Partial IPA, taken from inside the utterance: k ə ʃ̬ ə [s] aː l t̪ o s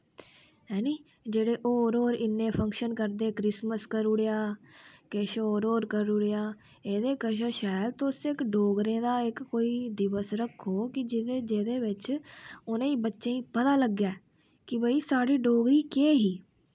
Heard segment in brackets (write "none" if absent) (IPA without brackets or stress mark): ʃ